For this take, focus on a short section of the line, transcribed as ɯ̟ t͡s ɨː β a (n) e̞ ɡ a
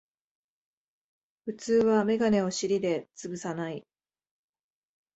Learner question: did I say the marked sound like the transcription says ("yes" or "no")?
no